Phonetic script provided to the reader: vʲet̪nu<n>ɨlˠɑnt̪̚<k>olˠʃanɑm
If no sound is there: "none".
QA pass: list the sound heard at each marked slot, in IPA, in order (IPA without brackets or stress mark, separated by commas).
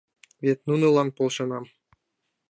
n, p